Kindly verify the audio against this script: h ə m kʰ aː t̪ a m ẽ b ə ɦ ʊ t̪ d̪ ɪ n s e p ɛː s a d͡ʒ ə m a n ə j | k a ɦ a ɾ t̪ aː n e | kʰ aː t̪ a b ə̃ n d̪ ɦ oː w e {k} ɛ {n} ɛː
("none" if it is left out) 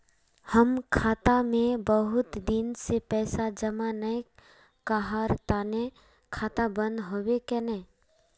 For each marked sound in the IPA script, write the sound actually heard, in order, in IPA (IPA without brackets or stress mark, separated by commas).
k, n